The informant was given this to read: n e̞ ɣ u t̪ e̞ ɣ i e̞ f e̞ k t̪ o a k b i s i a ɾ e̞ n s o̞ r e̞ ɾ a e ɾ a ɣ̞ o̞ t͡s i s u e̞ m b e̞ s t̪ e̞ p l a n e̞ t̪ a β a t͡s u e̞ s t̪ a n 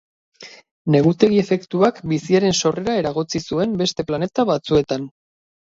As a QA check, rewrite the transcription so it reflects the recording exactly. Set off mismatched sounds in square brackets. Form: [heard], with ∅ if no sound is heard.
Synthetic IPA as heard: n e̞ ɣ u t̪ e̞ ɣ i e̞ f e̞ k t̪ [u] a k b i s i a ɾ e̞ n s o̞ r e̞ ɾ a e ɾ a ɣ̞ o̞ t͡s i s u e̞ m b e̞ s t̪ e̞ p l a n e̞ t̪ a β a t͡s u e̞ [∅] t̪ a n